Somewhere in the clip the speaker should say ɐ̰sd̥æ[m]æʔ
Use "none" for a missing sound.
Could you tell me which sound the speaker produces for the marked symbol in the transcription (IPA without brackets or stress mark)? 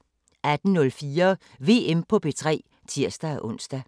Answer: none